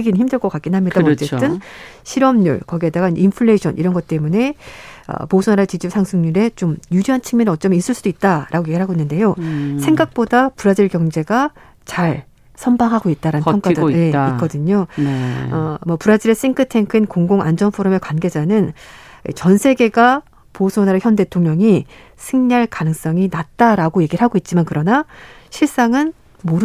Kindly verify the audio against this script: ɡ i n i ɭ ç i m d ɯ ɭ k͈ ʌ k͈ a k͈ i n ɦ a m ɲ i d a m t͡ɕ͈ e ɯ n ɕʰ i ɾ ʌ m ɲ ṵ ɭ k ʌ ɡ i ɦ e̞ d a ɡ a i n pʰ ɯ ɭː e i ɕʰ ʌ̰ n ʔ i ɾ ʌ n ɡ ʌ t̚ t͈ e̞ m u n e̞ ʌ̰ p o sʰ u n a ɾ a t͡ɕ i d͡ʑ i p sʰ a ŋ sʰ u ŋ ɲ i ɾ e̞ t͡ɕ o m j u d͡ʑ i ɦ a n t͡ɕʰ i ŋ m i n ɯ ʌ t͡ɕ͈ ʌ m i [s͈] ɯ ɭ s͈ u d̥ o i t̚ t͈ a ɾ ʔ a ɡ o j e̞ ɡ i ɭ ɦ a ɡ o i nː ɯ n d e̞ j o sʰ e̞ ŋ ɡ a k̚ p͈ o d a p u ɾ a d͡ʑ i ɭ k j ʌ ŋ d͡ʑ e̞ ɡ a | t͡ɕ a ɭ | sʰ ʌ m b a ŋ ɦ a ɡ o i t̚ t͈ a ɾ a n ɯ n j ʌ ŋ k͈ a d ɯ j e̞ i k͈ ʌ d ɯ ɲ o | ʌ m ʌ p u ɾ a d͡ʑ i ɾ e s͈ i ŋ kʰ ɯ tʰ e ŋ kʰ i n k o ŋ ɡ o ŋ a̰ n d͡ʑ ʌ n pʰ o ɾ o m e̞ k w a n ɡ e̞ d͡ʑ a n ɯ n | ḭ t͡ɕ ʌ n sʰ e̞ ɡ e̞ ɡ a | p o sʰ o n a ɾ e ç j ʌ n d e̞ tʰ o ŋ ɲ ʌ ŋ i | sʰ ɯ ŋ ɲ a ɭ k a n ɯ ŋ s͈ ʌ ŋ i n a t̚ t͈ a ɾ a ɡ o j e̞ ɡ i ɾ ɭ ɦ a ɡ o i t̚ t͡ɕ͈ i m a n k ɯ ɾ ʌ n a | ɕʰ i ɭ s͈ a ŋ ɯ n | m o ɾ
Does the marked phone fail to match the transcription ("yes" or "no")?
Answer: no